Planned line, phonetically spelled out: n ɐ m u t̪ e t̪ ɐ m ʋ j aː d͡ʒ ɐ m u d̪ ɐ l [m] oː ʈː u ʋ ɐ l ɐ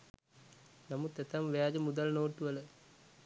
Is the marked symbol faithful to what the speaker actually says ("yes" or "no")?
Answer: no